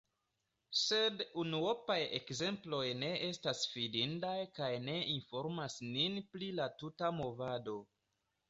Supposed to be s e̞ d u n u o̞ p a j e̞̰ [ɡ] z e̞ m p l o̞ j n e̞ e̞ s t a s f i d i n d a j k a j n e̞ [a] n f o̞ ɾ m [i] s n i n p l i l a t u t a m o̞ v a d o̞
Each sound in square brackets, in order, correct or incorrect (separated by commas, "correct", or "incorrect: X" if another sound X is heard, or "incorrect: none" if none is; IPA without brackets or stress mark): incorrect: k, incorrect: i, incorrect: a